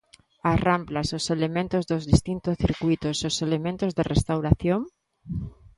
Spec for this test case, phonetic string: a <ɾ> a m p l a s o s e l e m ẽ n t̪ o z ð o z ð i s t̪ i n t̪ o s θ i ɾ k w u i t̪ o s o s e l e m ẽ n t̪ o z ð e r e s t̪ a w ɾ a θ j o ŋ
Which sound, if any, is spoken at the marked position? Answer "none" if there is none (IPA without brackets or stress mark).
r